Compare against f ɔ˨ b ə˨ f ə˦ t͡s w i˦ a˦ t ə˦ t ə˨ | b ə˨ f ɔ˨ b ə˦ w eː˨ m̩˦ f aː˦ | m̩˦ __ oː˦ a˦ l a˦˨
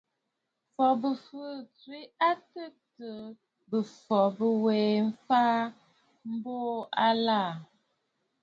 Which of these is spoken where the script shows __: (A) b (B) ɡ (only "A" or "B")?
A